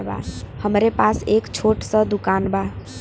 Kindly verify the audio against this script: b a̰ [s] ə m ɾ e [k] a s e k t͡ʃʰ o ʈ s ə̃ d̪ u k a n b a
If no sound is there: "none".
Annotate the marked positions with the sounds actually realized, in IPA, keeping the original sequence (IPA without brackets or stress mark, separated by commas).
h, p